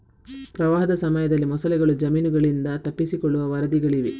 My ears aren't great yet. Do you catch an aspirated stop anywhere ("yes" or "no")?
no